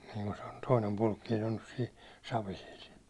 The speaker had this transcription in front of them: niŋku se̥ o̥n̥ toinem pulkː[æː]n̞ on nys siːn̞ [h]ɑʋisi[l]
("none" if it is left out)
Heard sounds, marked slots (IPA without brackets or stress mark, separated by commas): iː, s, l